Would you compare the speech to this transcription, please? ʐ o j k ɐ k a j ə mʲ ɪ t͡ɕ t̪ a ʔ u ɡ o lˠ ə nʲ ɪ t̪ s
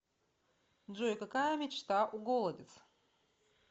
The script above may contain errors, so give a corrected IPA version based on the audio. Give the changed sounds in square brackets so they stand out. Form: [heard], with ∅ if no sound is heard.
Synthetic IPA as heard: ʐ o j k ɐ k a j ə mʲ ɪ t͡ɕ t̪ a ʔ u ɡ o lˠ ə [dʲ] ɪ t̪ s